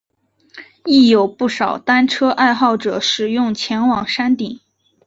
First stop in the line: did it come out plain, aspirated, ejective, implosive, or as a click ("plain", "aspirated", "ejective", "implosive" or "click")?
plain